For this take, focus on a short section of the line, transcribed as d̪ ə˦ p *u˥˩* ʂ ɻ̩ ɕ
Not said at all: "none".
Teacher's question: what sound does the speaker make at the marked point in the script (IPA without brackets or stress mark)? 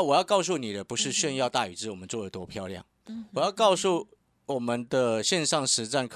u˧˥